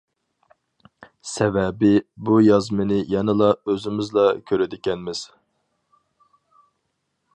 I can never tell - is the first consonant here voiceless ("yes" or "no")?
yes